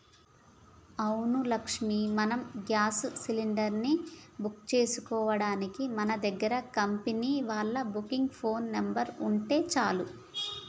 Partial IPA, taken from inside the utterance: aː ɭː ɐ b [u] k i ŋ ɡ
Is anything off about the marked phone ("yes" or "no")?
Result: no